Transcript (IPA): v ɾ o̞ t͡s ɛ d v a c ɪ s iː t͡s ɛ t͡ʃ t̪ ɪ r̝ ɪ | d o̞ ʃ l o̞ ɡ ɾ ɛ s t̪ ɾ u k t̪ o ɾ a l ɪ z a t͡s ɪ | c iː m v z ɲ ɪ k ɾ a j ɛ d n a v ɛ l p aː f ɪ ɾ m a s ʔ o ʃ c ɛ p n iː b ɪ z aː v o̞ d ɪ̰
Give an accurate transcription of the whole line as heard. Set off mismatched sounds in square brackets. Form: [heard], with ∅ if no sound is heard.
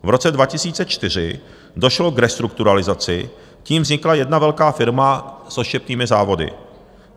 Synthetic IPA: v ɾ o̞ t͡s ɛ d v a c ɪ s iː t͡s ɛ t͡ʃ t̪ ɪ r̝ ɪ | d o̞ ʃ l o̞ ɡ ɾ ɛ s t̪ ɾ u k t̪ [u] ɾ a l ɪ z a t͡s ɪ | c iː m v z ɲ ɪ k [l] a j ɛ d n a v ɛ l [k] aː f ɪ ɾ m a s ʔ o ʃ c ɛ p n iː [m] ɪ z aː v o̞ d ɪ̰